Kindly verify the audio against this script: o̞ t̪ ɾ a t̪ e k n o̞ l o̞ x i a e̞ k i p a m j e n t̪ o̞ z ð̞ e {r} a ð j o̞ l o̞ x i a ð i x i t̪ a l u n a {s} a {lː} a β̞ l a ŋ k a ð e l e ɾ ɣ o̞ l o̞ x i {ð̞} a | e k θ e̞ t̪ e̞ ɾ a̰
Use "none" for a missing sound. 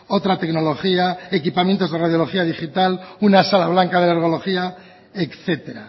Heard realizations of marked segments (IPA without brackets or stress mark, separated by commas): r, s, l, none